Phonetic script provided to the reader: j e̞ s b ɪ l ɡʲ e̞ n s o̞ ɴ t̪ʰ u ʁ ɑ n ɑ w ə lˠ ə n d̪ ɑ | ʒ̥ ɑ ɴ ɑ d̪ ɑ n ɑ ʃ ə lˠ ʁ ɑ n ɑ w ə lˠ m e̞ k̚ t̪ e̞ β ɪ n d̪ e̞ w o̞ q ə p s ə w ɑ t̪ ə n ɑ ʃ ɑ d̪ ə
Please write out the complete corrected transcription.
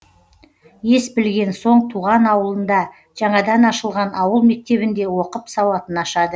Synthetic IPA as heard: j e̞ s b ɪ l ɡʲ e̞ n s o̞ ɴ t̪ʰ u ʁ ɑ n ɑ w ə lˠ ə n d̪ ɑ | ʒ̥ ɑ ɴ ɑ d̪ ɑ n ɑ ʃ ə lˠ ʁ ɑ n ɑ w ə lˠ m e̞ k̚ t̪ e̞ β ɪ n d̪ e̞ w o̞ q ə p s ɑ w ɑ t̪ ə n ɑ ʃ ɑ d̪ ə